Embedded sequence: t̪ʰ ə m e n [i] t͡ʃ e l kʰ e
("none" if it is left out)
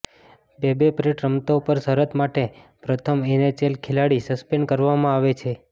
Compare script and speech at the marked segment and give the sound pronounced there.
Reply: e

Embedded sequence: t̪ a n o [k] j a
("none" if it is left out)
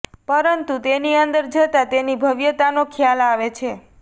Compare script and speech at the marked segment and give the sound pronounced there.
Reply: kʰ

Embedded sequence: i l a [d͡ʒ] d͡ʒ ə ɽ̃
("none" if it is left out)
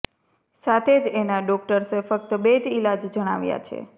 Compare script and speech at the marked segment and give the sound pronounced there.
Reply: d͡ʒ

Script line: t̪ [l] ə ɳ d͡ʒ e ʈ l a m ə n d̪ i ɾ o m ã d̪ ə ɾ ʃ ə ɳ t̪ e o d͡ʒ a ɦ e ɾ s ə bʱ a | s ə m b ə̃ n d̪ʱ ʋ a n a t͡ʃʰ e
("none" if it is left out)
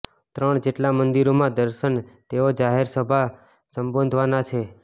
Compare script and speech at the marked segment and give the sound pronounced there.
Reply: ɾ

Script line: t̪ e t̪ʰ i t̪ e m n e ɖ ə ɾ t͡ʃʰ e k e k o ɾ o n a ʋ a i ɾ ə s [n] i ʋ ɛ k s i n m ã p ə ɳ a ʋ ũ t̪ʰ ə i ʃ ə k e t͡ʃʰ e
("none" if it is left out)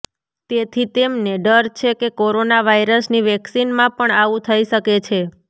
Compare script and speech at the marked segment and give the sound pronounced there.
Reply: n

